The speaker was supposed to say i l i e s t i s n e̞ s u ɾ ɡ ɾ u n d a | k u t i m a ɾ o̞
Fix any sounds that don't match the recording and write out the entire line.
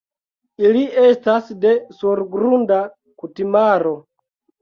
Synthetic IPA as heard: i l i e s t a s d e̞ s u ɾ ɡ ɾ u n d a | k u t i m a ɾ o̞